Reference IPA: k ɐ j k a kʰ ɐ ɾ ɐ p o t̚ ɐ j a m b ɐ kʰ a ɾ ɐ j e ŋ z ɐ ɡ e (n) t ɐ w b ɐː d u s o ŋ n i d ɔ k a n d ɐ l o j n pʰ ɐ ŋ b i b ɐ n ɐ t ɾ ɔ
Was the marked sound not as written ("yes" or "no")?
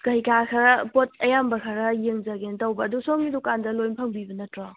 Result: no